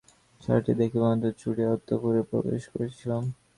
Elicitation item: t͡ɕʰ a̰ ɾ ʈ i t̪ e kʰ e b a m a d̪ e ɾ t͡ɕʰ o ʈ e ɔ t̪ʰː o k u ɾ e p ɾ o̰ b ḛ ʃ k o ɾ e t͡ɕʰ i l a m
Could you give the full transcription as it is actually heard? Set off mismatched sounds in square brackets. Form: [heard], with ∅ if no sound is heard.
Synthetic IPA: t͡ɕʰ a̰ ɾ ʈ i [d̪] e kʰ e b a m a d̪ e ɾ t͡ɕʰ [u] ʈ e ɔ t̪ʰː o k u ɾ e p ɾ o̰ b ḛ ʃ k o ɾ e t͡ɕʰ i l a m